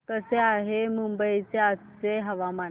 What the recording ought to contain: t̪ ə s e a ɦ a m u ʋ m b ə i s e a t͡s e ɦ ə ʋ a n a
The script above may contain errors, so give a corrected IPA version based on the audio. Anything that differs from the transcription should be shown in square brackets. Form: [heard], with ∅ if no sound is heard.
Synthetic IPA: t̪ ə s e a ɦ [e] m u [∅] m b ə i [t͡s] e a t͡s e ɦ ə ʋ a [m] a